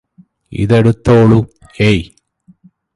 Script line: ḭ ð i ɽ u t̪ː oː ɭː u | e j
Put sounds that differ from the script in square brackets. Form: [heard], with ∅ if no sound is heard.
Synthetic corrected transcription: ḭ ð [e] ɽ u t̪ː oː [ɭ] u | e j